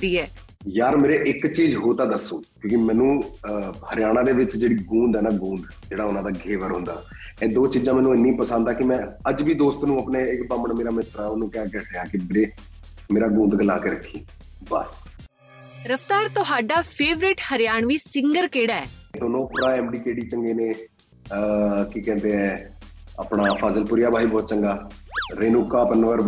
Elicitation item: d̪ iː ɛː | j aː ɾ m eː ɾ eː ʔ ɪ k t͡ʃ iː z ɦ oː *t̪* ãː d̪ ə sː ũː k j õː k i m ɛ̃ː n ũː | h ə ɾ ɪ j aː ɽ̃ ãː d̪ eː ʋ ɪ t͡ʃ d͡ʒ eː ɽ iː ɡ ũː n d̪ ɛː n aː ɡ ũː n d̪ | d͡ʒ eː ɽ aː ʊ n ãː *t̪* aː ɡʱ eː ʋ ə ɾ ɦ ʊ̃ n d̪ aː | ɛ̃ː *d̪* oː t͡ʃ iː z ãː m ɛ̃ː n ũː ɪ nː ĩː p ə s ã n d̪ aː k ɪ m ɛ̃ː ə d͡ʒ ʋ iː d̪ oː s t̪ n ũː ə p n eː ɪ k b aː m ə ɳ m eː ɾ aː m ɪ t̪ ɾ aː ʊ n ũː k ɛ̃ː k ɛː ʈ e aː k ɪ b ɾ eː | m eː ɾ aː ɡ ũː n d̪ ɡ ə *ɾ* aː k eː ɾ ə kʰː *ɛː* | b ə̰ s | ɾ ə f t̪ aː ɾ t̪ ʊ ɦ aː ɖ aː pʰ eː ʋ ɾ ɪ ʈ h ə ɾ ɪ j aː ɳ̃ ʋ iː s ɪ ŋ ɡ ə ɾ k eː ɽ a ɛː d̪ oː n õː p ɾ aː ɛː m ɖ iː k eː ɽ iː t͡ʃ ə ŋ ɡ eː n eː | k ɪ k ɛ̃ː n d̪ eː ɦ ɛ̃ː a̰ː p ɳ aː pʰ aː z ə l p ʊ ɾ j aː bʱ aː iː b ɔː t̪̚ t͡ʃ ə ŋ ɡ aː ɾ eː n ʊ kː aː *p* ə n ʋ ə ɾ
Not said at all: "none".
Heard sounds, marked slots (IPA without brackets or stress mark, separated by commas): t̪, d̪, d̪, l, iː, p